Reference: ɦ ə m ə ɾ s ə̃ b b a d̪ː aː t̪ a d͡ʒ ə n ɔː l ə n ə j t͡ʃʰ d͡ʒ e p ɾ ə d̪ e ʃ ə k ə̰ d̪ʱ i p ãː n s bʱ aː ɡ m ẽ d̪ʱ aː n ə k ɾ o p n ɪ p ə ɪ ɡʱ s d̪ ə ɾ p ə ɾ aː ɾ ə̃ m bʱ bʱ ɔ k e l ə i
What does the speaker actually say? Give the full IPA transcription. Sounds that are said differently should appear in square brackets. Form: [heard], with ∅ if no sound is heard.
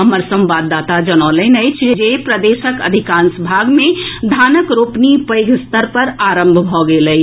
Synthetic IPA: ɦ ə m ə ɾ s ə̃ [m] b a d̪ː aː t̪ a d͡ʒ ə n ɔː l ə n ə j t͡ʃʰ d͡ʒ e p ɾ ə d̪ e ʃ ə k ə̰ d̪ʱ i [k] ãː n s bʱ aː ɡ m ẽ d̪ʱ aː n ə k ɾ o p n [i] p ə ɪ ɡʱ s [t̪] ə ɾ p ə ɾ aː ɾ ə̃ m bʱ bʱ ɔ [ɡ] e l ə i